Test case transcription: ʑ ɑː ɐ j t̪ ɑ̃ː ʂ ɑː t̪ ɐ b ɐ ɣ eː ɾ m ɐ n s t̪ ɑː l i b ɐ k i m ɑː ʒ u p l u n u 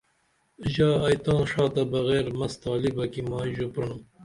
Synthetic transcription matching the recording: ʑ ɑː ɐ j t̪ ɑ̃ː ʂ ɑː t̪ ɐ b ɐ ɣ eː ɾ m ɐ s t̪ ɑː l i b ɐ k i m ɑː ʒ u p ɾ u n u